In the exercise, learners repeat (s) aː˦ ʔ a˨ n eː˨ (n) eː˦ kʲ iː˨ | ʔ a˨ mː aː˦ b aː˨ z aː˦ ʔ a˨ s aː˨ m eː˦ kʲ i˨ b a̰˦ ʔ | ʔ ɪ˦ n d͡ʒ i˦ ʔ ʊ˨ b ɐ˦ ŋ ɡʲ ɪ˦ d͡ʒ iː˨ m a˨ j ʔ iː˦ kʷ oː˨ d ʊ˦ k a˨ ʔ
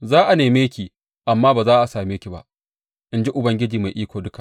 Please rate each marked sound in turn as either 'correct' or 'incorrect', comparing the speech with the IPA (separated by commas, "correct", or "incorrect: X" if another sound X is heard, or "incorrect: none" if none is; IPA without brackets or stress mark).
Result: incorrect: z, incorrect: m